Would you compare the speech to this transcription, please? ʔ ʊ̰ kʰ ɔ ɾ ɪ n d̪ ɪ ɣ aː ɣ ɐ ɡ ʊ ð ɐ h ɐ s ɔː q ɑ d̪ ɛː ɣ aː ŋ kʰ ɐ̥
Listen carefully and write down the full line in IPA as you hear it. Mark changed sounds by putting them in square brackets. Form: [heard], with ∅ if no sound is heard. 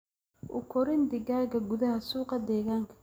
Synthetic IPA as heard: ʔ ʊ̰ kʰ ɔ ɾ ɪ n d̪ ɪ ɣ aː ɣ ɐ ɡ ʊ ð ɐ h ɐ s [uː] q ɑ d̪ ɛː ɣ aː ŋ kʰ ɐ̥